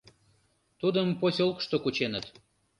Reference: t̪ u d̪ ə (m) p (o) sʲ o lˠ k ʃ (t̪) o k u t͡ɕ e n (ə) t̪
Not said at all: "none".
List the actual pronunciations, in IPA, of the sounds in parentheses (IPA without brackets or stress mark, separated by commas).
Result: m, o, t̪, ə